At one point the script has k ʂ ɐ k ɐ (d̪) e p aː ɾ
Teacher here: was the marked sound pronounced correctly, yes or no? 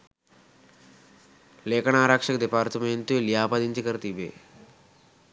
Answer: yes